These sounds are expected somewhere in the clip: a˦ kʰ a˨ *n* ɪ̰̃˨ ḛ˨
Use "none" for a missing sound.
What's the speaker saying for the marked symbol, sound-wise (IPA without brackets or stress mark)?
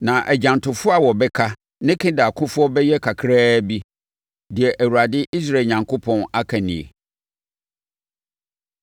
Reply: n